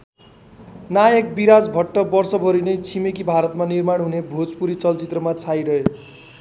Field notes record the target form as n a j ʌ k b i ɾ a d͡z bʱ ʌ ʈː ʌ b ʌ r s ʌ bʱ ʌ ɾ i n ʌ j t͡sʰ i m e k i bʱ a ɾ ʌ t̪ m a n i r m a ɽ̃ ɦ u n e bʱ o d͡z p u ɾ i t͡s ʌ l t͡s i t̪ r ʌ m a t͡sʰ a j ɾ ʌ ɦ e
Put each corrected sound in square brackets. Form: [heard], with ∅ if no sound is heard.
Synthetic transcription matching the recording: n a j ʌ k b i ɾ a d͡z bʱ ʌ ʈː ʌ b ʌ r s ʌ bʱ ʌ ɾ i n ʌ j t͡sʰ i m e k i bʱ a ɾ ʌ t̪ m a n i r m a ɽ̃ ɦ u n e bʱ o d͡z p u ɾ i t͡s ʌ l t͡s i t̪ r ʌ m a t͡sʰ a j ɾ ʌ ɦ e